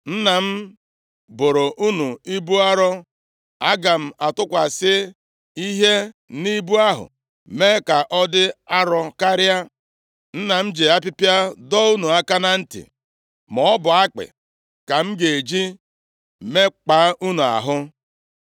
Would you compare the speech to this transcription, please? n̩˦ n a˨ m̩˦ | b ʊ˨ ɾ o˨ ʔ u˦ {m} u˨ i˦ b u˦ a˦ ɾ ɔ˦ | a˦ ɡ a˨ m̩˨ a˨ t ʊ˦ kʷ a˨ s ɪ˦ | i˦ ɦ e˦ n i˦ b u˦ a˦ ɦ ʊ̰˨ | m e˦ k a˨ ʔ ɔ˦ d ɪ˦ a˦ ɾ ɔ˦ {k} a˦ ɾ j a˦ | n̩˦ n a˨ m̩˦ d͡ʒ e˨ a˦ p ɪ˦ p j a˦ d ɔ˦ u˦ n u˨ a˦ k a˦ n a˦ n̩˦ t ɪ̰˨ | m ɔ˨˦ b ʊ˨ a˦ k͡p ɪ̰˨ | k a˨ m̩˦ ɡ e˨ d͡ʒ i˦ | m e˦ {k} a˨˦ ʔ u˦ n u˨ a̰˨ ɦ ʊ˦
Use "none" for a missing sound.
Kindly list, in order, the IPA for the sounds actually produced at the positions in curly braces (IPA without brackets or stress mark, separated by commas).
n, k, k͡p